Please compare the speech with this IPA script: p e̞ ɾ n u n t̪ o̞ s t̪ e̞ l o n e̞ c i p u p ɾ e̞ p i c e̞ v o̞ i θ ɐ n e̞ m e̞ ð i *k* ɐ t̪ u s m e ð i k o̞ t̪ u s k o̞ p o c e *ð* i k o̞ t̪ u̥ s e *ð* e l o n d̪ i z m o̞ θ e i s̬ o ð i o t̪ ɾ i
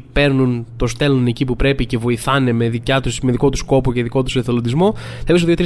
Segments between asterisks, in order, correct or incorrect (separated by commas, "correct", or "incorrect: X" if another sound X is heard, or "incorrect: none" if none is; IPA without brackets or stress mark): incorrect: c, correct, incorrect: θ